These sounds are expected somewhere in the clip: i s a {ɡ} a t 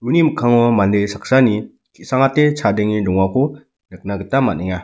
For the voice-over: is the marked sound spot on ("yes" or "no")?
no